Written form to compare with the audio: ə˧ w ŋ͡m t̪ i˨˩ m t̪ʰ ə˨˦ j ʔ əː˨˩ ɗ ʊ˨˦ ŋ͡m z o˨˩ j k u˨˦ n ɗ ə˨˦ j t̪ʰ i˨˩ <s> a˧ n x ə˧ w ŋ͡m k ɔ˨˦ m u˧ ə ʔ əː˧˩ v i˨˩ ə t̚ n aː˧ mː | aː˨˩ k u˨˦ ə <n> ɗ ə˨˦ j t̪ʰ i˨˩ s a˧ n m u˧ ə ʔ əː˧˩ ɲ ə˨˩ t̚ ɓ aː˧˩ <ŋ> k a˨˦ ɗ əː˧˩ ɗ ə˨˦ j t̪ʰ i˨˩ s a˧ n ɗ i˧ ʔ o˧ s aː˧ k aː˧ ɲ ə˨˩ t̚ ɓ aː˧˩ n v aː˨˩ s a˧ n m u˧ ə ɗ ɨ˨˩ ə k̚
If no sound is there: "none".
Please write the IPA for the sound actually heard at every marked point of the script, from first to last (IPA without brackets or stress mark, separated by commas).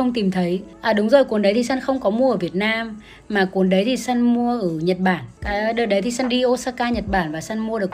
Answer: s, n, n